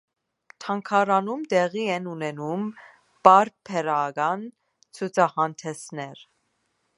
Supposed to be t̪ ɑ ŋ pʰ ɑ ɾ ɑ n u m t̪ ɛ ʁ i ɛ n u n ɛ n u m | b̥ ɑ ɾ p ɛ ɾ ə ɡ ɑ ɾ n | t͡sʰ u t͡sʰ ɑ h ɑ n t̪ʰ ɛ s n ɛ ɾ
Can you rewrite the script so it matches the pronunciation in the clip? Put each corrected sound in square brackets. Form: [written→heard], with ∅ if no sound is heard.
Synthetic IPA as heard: [t̪→t̪ʰ] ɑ ŋ [pʰ→kʰ] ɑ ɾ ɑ n u m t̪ ɛ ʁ i ɛ n u n ɛ n u m | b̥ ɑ ɾ [p→pʰ] ɛ ɾ [ə→ɑ] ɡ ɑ [ɾ→∅] n | t͡sʰ u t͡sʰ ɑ h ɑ n t̪ʰ ɛ s n ɛ ɾ